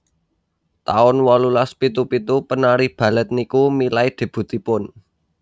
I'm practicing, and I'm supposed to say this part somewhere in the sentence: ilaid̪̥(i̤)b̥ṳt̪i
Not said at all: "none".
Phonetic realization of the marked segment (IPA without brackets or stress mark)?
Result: e̤